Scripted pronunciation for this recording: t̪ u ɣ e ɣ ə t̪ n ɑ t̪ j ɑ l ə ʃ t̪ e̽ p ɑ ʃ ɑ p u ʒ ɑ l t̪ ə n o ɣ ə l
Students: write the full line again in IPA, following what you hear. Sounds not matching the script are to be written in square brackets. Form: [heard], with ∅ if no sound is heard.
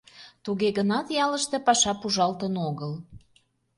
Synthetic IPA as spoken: t̪ u ɣ e ɣ ə [∅] n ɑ t̪ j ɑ l ə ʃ t̪ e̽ p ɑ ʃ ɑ p u ʒ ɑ l t̪ ə n o ɣ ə l